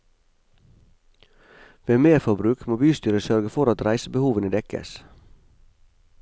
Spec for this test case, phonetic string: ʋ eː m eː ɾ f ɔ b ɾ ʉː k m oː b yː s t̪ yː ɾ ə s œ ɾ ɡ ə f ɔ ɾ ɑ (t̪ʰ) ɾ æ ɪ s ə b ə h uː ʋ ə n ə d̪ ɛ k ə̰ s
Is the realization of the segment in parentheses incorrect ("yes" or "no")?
yes